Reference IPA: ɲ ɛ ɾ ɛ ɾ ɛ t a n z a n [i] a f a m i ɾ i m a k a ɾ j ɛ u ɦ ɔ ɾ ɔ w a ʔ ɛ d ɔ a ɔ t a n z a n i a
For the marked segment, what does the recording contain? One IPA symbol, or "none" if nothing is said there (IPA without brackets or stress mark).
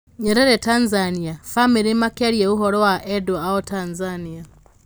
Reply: i